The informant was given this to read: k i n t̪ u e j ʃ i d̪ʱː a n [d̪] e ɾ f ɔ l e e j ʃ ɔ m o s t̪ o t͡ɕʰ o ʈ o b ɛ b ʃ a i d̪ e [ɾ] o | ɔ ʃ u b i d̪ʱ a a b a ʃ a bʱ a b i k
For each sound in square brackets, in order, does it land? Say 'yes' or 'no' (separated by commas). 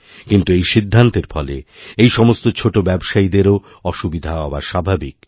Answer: no, yes